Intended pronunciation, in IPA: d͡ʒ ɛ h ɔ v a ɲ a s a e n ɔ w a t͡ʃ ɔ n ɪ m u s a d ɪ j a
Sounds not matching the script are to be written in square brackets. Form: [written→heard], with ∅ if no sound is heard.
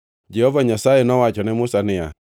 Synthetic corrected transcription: d͡ʒ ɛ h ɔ v a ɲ a s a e n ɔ w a t͡ʃ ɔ n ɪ m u s a [d→n] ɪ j a